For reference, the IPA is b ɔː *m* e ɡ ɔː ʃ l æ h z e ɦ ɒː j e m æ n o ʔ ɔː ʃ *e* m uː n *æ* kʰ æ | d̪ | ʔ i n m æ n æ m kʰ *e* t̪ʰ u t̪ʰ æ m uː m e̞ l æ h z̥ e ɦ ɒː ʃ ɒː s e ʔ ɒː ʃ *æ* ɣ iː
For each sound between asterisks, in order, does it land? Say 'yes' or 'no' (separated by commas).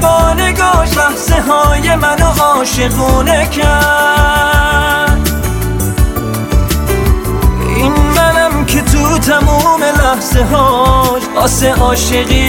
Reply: no, yes, no, yes, no